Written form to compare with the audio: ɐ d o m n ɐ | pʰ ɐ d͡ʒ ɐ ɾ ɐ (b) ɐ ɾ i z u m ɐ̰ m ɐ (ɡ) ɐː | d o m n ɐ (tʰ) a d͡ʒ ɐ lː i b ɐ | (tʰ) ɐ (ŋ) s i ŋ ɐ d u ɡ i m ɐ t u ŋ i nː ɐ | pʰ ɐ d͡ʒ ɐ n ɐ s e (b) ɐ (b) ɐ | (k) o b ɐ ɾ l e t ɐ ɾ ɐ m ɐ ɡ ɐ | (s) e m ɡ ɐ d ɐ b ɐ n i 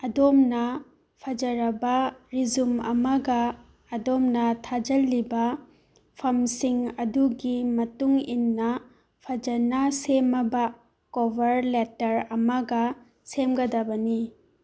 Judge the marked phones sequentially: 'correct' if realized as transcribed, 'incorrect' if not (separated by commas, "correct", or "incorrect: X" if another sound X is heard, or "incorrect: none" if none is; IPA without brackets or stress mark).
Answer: correct, correct, correct, incorrect: pʰ, incorrect: m, incorrect: m, correct, correct, correct